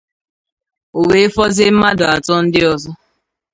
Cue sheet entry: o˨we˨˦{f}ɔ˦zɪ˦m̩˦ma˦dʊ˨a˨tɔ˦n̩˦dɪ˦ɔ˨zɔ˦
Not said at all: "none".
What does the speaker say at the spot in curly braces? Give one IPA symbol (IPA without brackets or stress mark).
f